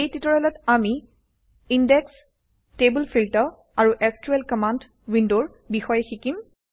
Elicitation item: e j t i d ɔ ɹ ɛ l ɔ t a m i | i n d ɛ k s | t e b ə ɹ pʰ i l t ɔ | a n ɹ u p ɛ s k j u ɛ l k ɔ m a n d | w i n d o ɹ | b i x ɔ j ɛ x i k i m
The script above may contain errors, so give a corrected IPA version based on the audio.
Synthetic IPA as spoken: e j t i t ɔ ɹ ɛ l ɔ t a m i | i n d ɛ k s | t e b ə l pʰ i l t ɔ | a ɹ u ʔ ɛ s k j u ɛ l k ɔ m a n d | w i n d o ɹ | b i x ɔ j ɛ x i k i m